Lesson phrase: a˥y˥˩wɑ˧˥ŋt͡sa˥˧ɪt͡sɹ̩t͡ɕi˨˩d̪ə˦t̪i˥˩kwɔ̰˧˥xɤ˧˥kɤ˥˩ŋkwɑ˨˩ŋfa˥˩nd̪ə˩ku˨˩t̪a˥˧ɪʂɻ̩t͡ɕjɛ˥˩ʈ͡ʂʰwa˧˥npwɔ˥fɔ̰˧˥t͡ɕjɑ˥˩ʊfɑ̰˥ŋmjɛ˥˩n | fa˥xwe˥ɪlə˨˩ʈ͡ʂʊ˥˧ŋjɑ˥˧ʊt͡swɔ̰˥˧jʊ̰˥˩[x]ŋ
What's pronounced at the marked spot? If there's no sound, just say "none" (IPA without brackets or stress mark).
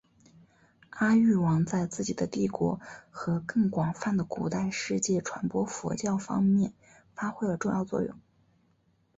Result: none